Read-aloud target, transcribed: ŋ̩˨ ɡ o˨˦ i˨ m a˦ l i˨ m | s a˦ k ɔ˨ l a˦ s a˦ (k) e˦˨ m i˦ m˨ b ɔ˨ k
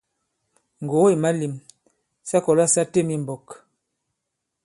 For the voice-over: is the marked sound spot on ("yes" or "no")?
no